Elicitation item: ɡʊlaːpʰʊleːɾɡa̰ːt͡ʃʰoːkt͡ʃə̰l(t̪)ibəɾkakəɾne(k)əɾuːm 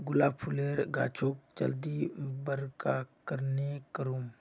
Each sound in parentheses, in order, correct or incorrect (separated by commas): incorrect, correct